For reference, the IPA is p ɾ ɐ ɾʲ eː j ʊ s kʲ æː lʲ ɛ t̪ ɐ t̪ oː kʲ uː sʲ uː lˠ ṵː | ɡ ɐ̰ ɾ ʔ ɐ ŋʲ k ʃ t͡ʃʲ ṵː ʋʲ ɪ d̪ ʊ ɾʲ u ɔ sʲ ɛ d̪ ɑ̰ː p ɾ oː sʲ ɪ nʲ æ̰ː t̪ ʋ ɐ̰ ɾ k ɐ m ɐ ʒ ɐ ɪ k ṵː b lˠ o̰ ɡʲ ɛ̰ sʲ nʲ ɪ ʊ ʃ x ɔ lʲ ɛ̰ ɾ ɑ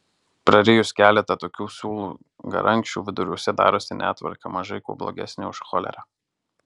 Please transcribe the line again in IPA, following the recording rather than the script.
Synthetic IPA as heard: p ɾ ɐ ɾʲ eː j ʊ s kʲ æː lʲ ɛ t̪ ɐ t̪ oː kʲ uː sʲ uː lˠ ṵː | ɡ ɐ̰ ɾ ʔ ɐ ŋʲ k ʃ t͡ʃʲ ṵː ʋʲ ɪ d̪ ʊ ɾʲ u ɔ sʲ ɛ d̪ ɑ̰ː ɾ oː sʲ ɪ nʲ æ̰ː t̪ ʋ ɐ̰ ɾ k ɐ m ɐ ʒ ɐ ɪ k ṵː b lˠ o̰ ɡʲ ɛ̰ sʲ nʲ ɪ ʊ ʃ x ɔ lʲ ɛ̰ ɾ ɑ

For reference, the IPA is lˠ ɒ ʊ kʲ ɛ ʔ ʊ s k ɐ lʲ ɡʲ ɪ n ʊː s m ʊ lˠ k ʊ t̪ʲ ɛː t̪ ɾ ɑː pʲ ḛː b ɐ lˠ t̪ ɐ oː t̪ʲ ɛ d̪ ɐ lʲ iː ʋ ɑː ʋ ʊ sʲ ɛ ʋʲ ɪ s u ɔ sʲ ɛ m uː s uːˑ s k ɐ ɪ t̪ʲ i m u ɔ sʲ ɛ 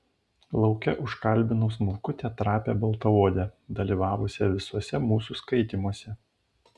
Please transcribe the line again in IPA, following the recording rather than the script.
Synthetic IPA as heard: lˠ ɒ ʊ kʲ ɛ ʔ ʊ ʃ k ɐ lʲ bʲ ɪ n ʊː s m ʊ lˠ k ʊ t̪ʲ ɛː t̪ ɾ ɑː pʲ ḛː b ɐ lˠ t̪ ɐ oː d̪ʲ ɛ d̪ ɐ lʲ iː ʋ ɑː ʋ ʊ sʲ ɛ ʋʲ ɪ s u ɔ sʲ ɛ m uː s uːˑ s k ɐ ɪ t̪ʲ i m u ɔ sʲ ɛ

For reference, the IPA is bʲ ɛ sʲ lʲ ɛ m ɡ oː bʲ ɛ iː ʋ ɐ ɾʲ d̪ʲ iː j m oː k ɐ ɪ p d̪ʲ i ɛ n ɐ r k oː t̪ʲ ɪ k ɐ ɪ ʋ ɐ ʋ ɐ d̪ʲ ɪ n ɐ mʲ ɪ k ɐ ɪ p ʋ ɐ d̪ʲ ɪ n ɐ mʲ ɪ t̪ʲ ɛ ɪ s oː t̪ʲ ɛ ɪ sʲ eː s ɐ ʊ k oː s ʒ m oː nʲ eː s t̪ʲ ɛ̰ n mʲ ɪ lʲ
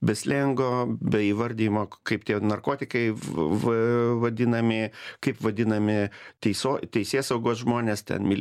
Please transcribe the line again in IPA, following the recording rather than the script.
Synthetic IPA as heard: bʲ ɛ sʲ lʲ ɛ ŋ ɡ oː bʲ ɛ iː ʋ ɐ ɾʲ d̪ʲ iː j m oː k ɐ ɪ p t̪ʲ i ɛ n ɐ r k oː t̪ʲ ɪ k ɐ ɪ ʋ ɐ ʋ ɐ d̪ʲ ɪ n ɐ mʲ ɪ k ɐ ɪ p ʋ ɐ d̪ʲ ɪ n ɐ mʲ ɪ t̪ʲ ɛ ɪ s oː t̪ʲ ɛ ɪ sʲ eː s ɐ ʊ ɡ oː s ʒ m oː nʲ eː s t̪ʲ ɛ̰ n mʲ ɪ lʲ

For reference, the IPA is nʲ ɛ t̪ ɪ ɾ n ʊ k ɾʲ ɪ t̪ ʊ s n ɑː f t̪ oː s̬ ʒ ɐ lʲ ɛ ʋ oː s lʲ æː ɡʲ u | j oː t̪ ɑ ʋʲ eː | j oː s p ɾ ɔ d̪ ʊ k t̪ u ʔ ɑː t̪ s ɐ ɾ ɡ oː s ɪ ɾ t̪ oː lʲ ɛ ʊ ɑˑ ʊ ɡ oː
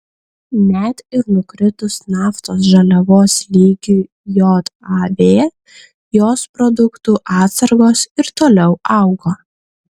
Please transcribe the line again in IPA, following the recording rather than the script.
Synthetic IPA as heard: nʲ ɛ t̪ ɪ ɾ n ʊ k ɾʲ ɪ t̪ ʊ s n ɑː f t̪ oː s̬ ʒ ɐ lʲ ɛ ʋ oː s lʲ iː ɡʲ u | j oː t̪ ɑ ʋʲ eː | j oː s p ɾ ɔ d̪ ʊ k t̪ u ʔ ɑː t̪ s ɐ ɾ ɡ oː s ɪ ɾ t̪ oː lʲ ɛ ʊ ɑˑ ʊ ɡ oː

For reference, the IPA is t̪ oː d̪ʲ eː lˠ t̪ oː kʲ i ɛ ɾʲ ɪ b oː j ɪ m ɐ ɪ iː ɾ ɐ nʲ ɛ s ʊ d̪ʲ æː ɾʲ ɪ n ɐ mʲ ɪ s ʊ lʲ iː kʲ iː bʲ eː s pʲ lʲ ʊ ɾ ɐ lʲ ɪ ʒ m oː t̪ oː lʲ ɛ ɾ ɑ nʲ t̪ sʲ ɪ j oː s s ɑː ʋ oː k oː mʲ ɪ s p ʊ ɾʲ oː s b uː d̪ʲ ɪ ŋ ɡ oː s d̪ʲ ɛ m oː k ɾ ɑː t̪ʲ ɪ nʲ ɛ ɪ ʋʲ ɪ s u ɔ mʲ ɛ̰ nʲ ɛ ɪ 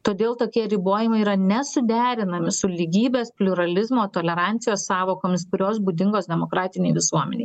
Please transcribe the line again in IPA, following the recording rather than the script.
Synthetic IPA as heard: t̪ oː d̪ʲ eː lˠ t̪ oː kʲ i ɛ ɾʲ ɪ b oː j ɪ m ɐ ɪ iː ɾ ɐ nʲ ɛ s ʊ d̪ʲ æː ɾʲ ɪ n ɐ mʲ ɪ s ʊ lʲ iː ɡʲ iː bʲ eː s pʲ lʲ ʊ ɾ ɐ lʲ ɪ z m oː t̪ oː lʲ ɛ ɾ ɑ nʲ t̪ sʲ ɪ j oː s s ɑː ʋ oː k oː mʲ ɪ s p ʊ ɾʲ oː s b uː d̪ʲ ɪ ŋ ɡ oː s d̪ʲ ɛ m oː k ɾ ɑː t̪ʲ ɪ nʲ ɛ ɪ ʋʲ ɪ s u ɔ mʲ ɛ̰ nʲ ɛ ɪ

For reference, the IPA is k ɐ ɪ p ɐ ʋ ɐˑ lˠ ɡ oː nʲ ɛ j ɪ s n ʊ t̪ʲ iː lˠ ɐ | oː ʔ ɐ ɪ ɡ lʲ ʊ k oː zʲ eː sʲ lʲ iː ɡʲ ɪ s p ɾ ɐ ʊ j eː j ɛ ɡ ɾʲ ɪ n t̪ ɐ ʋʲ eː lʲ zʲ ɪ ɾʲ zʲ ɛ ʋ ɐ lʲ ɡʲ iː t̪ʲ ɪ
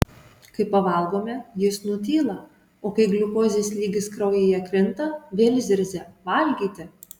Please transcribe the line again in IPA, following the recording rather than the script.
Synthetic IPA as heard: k ɐ ɪ p ɐ ʋ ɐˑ lˠ ɡ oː mʲ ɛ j ɪ s n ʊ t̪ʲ iː lˠ ɐ | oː k ɐ ɪ ɡ lʲ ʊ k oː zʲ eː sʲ lʲ iː ɡʲ ɪ s k ɾ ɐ ʊ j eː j ɛ k ɾʲ ɪ n t̪ ɐ ʋʲ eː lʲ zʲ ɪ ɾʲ zʲ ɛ ʋ ɐ lʲ ɡʲ iː t̪ʲ ɪ

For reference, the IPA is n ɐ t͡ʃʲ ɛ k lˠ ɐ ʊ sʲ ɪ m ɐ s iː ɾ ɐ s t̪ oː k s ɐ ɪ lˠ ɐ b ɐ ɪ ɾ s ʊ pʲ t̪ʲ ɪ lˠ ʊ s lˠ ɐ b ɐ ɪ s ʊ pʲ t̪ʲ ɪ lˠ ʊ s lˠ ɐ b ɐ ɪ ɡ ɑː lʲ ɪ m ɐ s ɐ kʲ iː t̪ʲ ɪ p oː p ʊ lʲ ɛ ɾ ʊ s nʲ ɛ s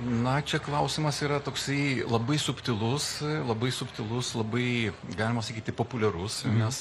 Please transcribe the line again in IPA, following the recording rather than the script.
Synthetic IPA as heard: n ɐ t͡ʃʲ ɛ k lˠ ɐ ʊ sʲ ɪ m ɐ s iː ɾ ɐ t̪ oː k s ɐ ɪ lˠ ɐ b ɐ ɪ s ʊ pʲ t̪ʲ ɪ lˠ ʊ s lˠ ɐ b ɐ ɪ s ʊ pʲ t̪ʲ ɪ lˠ ʊ s lˠ ɐ b ɐ ɪ ɡ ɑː lʲ ɪ m ɐ s ɐ kʲ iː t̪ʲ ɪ p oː p ʊ lʲ ɛ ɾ ʊ s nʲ ɛ s

